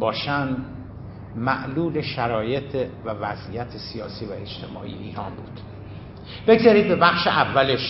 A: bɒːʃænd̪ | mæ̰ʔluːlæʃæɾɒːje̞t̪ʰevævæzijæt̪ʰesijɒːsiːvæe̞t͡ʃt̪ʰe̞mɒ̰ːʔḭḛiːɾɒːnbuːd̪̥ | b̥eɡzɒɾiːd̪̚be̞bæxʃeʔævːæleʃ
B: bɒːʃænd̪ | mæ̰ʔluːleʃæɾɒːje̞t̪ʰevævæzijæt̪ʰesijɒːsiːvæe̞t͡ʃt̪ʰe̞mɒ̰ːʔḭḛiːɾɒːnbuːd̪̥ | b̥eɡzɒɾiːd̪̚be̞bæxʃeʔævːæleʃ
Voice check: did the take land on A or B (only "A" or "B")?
B